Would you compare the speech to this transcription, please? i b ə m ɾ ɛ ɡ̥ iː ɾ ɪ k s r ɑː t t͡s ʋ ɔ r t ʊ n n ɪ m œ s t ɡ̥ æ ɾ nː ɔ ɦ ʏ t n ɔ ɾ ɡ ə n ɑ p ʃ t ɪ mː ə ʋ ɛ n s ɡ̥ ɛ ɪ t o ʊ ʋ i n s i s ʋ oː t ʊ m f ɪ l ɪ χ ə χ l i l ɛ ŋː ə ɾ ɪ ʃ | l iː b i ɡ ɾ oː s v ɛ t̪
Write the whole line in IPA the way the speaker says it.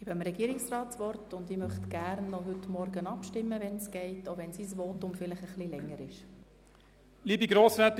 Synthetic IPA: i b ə m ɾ ɛ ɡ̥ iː ɾ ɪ k s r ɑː t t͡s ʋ ɔ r t ʊ n d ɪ m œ χ t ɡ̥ æ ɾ nː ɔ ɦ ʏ t m ɔ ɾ ɡ ə n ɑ p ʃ t ɪ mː ə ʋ ɛ n s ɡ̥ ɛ ɪ t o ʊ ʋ ɛ n s i s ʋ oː t ʊ m f ɪ l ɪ χ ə χ l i l ɛ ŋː ə ɾ ɪ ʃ | l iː b i ɡ ɾ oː s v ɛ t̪

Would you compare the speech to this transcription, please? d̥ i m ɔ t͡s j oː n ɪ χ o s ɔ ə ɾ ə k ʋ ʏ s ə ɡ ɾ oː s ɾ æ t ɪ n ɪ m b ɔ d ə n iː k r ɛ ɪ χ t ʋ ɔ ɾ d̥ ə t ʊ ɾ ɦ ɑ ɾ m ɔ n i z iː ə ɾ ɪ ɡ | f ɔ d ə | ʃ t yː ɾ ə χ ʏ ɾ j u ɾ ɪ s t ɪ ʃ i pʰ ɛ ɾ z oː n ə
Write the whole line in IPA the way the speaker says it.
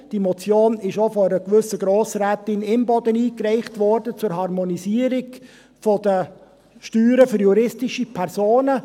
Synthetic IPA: d̥ i m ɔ t͡s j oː n ɪ ʃ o f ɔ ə ɾ ə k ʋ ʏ s ə ɡ ɾ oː s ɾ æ t ɪ n ɪ m b ɔ d ə n iː k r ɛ ɪ χ t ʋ ɔ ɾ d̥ ə t͡s ʊ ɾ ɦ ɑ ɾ m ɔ n i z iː ə ɾ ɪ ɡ | f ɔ d ə | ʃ t yː ɾ ə f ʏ ɾ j u ɾ ɪ s t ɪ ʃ i pʰ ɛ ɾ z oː n ə

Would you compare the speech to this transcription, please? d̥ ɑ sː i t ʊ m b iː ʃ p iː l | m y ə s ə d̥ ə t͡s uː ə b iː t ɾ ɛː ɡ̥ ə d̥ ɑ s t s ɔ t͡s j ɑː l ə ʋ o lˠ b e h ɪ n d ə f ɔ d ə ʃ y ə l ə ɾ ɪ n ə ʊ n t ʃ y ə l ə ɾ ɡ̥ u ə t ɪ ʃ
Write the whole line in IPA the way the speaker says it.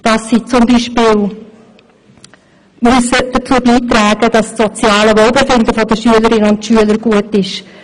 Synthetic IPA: d̥ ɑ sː i t͡s ʊ m b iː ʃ p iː l | m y ə s ə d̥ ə t͡s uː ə b iː t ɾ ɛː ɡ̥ ə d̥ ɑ s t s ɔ t͡s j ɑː l ə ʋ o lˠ b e f ɪ n d ə f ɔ d ə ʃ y ə l ə ɾ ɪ n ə ʊ n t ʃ y ə l ə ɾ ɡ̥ u ə t ɪ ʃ

